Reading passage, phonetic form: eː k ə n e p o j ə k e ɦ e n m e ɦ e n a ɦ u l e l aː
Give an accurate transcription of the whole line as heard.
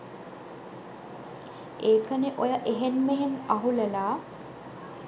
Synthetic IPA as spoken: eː k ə n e ʔ o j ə ʔ e ɦ e n m e ɦ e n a ɦ u l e l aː